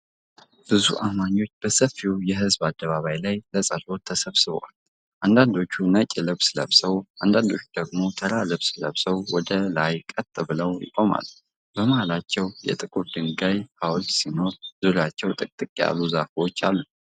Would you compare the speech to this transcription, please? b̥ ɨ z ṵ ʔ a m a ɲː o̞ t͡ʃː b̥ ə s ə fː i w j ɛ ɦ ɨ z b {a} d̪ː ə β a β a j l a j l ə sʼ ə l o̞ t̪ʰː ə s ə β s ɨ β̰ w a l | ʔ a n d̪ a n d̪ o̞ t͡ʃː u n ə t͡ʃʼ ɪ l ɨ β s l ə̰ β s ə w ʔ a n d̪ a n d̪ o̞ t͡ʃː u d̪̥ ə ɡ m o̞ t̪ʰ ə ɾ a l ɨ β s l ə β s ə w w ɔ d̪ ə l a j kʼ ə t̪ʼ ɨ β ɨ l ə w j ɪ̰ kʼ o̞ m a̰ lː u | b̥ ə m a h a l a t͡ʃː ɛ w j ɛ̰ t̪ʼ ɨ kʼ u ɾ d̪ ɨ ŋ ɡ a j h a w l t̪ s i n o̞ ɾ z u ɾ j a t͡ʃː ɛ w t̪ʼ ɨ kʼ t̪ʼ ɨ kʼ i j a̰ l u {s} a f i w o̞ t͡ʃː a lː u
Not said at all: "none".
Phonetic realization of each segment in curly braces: a, z

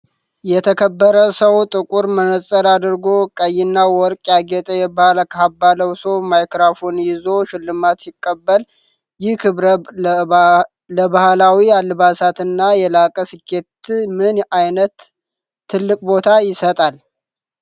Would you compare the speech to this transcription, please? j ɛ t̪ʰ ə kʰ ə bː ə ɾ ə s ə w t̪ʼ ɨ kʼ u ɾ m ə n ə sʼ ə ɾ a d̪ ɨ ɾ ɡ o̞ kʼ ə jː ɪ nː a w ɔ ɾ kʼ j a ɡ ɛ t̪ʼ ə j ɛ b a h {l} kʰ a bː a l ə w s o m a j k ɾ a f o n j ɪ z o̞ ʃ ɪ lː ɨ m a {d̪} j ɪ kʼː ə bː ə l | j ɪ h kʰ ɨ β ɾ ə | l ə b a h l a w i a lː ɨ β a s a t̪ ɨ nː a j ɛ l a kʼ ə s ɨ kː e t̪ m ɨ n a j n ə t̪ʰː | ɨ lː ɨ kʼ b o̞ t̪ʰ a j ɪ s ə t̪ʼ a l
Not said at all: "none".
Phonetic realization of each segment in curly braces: l, t̪

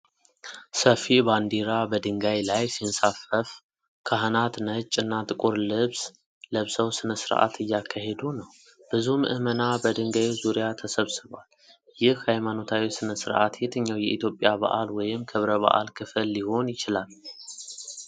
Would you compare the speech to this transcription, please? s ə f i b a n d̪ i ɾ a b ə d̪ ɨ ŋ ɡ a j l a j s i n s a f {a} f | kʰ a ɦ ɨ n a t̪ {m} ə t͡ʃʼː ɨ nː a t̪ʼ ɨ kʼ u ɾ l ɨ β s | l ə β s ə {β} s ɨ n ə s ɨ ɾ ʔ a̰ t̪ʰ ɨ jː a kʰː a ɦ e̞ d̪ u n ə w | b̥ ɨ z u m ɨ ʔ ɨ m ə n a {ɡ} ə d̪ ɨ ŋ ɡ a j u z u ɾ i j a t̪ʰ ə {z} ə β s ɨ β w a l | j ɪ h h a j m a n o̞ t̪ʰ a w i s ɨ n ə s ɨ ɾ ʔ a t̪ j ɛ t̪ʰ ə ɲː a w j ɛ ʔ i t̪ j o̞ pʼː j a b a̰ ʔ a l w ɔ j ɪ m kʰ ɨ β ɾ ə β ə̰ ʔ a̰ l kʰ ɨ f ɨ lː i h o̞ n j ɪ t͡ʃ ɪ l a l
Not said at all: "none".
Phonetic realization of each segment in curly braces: ə, n, w, b, s

